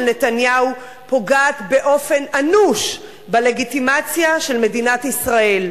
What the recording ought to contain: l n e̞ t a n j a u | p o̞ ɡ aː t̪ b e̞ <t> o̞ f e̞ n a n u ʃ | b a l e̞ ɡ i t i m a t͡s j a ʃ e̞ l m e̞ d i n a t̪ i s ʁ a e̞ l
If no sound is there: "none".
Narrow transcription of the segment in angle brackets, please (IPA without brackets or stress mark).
ʔ